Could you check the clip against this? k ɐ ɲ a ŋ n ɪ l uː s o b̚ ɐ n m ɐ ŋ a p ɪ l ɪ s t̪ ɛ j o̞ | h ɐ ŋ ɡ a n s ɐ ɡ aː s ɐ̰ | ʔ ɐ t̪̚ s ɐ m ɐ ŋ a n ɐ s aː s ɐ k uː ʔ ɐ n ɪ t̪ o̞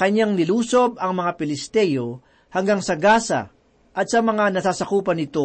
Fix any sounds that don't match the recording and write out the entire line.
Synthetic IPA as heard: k ɐ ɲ a ŋ n ɪ l uː s o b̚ ɐ ŋ m ɐ ŋ a p ɪ l ɪ s t̪ ɛ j o̞ | h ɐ ŋ ɡ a ŋ s ɐ ɡ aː s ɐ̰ | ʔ ɐ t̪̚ s ɐ m ɐ ŋ a n ɐ s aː s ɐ k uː p ɐ n ɪ t̪ o̞